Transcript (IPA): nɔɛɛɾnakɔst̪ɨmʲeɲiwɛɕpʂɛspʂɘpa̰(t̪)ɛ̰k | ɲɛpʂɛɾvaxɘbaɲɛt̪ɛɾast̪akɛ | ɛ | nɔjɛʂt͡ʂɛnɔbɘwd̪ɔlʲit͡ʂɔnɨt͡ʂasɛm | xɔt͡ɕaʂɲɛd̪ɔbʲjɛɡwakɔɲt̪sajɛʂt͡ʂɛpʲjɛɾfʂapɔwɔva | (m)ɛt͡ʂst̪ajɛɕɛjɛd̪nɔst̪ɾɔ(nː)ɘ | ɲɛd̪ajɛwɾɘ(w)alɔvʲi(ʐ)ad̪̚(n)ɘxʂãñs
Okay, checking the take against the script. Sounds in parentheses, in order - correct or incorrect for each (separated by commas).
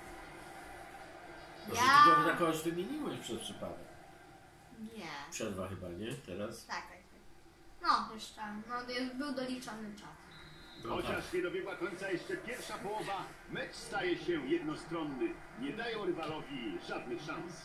incorrect, correct, correct, incorrect, correct, correct